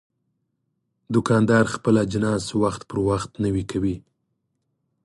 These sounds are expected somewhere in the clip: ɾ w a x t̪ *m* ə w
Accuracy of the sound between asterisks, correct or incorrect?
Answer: incorrect